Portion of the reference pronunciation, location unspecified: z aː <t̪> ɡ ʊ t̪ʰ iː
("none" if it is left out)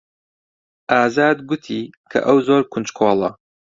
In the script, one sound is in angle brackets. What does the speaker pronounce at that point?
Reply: d̪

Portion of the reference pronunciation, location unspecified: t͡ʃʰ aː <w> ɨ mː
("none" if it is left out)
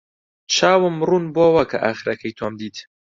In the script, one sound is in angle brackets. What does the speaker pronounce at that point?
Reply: w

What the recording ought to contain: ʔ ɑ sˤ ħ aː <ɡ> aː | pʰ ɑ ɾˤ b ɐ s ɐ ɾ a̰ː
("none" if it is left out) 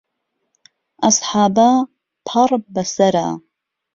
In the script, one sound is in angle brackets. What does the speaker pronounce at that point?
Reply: b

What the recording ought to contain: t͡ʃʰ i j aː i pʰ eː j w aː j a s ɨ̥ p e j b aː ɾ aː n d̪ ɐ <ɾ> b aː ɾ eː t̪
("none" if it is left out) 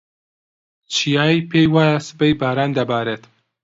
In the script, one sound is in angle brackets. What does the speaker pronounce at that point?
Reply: none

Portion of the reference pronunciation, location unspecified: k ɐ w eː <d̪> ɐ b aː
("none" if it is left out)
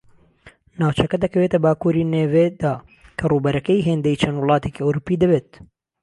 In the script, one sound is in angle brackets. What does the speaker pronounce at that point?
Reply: t̪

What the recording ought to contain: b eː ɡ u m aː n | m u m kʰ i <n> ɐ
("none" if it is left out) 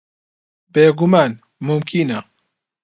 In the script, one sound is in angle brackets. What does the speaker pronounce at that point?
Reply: n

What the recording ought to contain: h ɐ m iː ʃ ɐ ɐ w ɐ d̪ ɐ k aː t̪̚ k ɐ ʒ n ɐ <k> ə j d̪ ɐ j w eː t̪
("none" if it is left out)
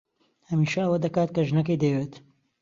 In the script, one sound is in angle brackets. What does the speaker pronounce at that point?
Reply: k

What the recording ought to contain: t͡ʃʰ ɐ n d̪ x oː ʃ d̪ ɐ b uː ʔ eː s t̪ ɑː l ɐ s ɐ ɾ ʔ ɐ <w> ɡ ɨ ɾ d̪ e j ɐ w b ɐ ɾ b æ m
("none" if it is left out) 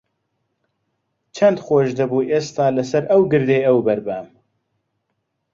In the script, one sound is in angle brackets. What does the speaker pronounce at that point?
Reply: w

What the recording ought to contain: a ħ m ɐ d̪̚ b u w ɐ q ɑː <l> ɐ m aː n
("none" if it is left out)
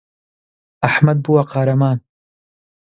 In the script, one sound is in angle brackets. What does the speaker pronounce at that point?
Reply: ɾ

